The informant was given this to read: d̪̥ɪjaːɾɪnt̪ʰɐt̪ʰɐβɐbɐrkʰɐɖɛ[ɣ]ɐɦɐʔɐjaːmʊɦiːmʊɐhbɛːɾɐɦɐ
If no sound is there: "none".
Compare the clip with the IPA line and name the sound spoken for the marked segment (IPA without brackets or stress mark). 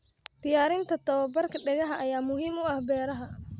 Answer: ɣ